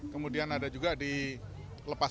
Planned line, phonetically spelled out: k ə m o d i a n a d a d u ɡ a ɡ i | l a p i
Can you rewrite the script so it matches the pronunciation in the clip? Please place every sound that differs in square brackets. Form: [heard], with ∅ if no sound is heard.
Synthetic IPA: k ə m [u] d i a n a d a [d͡ʒ] u ɡ a [d] i | l [ə] p [a]